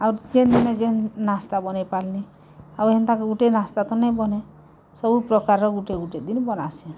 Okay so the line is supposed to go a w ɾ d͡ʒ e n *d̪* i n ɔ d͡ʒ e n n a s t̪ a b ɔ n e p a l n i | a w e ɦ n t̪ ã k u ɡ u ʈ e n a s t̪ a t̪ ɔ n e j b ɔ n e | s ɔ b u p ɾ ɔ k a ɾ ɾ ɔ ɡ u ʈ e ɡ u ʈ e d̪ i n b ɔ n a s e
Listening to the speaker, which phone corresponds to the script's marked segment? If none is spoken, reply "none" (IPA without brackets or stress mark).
d̪